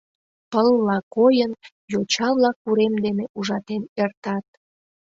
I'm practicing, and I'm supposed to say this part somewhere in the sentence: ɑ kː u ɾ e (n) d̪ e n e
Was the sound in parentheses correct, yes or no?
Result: no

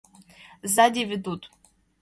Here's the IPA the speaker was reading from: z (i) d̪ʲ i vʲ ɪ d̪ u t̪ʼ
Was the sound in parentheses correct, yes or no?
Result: no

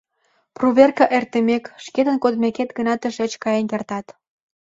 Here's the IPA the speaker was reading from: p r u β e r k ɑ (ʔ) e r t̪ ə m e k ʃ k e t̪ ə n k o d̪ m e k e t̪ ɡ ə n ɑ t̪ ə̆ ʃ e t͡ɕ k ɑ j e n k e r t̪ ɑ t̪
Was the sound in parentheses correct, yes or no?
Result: yes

